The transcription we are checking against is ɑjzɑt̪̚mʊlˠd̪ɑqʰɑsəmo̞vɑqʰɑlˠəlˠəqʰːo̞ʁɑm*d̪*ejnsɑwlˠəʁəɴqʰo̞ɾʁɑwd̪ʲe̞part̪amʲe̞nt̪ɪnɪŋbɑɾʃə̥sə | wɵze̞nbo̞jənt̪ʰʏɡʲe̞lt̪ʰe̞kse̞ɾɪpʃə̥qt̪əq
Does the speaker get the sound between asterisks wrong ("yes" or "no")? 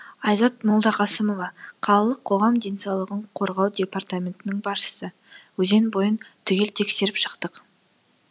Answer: no